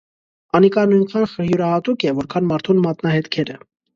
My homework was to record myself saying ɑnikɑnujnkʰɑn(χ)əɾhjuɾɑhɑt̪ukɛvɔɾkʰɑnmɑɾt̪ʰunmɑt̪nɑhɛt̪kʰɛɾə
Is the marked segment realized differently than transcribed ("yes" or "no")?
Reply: no